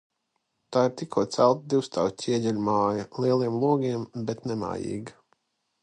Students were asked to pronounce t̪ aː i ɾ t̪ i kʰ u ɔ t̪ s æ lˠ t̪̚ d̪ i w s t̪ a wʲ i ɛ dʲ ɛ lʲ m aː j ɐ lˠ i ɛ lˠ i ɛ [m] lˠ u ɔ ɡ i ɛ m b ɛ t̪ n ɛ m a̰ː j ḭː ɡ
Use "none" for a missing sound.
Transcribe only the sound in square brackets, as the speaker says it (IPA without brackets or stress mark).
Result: m